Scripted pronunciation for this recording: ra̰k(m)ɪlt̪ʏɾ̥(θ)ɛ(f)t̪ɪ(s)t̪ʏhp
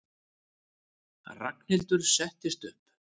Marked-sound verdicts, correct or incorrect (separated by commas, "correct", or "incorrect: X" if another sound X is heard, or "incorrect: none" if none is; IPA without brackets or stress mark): incorrect: n, incorrect: s, incorrect: h, correct